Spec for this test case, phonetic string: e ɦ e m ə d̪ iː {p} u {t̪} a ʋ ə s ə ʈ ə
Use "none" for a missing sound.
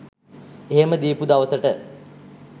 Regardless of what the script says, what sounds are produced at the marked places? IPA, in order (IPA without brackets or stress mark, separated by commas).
p, d̪